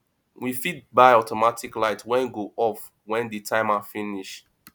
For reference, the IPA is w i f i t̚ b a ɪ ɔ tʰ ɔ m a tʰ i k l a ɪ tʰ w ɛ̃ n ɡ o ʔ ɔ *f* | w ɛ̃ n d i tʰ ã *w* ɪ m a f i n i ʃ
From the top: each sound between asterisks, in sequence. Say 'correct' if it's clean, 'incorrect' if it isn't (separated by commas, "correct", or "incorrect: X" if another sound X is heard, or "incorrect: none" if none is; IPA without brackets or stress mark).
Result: correct, incorrect: none